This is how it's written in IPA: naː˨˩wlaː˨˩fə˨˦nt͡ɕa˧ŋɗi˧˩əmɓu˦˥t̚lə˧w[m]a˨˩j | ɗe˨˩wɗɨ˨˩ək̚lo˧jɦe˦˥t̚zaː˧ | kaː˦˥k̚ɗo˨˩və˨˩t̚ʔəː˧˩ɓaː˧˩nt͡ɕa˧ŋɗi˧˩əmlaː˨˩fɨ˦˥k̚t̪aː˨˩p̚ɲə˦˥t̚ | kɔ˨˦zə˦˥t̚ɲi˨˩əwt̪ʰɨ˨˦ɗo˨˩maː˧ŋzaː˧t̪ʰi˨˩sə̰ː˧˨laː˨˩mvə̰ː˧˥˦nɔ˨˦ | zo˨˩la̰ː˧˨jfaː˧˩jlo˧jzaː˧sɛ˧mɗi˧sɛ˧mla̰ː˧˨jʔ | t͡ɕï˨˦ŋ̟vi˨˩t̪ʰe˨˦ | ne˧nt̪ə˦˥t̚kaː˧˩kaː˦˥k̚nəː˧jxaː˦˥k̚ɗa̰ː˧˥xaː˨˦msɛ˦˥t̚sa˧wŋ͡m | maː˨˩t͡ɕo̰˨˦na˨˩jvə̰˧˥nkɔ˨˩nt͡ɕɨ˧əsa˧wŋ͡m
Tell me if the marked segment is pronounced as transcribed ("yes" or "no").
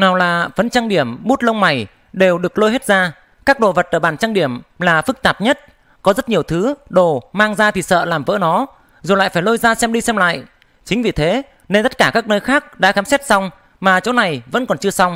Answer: yes